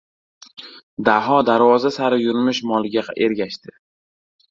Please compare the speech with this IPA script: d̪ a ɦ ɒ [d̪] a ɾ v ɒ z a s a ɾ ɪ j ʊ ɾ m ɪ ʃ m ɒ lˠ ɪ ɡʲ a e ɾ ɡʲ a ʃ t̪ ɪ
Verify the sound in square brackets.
correct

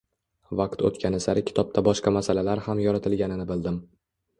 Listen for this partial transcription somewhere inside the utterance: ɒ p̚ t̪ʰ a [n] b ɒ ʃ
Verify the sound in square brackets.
incorrect: none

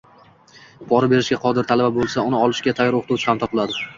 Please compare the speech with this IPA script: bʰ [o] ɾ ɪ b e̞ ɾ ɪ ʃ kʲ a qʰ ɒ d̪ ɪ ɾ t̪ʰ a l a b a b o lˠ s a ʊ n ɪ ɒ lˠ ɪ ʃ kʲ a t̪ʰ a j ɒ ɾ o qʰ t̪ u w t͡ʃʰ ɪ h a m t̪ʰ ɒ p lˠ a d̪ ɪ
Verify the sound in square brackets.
incorrect: ɒ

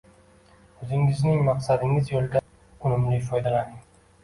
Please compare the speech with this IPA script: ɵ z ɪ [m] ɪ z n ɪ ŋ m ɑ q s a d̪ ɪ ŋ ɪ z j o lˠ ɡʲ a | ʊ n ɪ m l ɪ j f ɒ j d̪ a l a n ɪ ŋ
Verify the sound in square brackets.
incorrect: ŋ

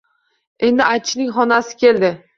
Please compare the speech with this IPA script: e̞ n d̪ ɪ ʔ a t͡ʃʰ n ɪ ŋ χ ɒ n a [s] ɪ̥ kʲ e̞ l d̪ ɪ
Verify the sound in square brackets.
correct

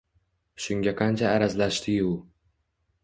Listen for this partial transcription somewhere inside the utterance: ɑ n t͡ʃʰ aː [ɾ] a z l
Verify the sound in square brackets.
correct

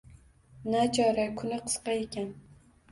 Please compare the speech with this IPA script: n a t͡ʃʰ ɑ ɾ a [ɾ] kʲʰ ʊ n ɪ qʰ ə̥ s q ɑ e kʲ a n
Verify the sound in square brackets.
incorrect: none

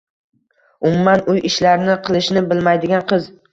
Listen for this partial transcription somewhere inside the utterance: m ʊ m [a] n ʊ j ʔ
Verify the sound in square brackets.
correct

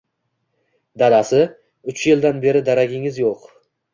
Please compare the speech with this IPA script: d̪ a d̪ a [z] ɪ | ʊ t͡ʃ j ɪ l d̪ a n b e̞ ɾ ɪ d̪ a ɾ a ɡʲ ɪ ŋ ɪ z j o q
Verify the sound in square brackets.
incorrect: s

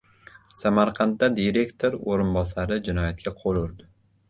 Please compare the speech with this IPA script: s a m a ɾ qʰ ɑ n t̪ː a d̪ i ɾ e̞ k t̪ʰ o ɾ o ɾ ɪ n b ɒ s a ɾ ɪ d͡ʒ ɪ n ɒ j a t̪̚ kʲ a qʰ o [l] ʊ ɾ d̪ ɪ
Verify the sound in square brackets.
correct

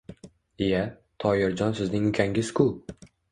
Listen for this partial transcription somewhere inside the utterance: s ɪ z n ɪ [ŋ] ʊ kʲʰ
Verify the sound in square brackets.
correct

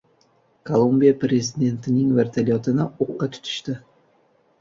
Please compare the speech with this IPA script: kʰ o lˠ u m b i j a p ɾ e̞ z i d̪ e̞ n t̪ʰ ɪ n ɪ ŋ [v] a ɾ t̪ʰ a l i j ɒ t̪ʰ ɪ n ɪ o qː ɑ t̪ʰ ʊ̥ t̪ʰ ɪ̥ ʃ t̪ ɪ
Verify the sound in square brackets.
correct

